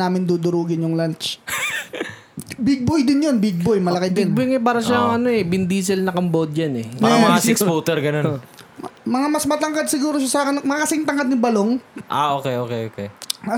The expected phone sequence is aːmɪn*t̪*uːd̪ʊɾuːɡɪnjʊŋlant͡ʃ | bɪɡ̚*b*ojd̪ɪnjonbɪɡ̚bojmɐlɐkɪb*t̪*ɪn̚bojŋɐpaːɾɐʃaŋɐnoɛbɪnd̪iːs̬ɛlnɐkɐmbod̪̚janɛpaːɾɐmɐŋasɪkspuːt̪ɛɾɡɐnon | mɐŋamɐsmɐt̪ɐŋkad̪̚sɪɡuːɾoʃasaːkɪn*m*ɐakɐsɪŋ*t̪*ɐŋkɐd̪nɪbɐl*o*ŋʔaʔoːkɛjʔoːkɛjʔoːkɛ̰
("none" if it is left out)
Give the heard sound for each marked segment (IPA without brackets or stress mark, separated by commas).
d̪, b, d̪, m, t̪, o